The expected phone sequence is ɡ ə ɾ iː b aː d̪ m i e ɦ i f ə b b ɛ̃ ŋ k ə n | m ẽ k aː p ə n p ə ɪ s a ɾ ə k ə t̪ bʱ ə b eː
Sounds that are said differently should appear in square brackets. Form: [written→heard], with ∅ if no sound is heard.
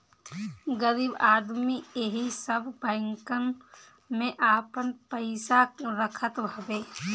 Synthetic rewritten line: ɡ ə ɾ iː b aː d̪ m i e ɦ i [f→s] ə b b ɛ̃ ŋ k ə n | m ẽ [k→ʔ] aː p ə n p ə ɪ s a ɾ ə [k→kʰ] ə t̪ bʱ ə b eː